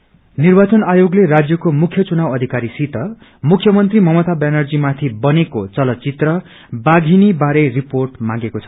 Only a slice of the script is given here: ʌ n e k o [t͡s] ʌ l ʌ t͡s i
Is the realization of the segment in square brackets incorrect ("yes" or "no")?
no